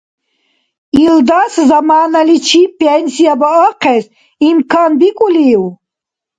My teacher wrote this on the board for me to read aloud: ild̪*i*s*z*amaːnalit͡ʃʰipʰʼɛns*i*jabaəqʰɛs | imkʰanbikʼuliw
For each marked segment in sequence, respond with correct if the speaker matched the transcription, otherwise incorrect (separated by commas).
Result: incorrect, correct, correct